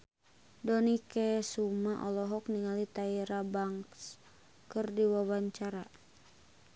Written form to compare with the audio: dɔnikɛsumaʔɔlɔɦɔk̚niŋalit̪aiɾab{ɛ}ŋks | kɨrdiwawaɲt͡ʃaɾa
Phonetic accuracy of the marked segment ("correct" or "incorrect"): incorrect